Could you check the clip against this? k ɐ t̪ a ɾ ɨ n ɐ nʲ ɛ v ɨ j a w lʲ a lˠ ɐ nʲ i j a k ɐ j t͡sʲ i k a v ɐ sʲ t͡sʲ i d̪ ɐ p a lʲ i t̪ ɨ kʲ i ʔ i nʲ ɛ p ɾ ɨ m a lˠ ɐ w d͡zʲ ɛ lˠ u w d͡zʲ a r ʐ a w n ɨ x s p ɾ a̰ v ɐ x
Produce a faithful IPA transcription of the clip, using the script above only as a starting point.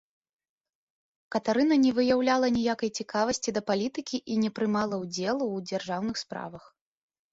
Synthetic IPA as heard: k ɐ t̪ a ɾ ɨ n ɐ nʲ ɛ v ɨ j a w lʲ a lˠ ɐ nʲ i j a k ɐ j t͡sʲ i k a v ɐ sʲ t͡sʲ i d̪ ɐ p a lʲ i t̪ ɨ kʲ i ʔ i nʲ ɛ p ɾ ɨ m a lˠ ɐ w d͡zʲ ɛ lˠ u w d͡zʲ a r ʐ a w n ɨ x s p ɾ a̰ v ɐ x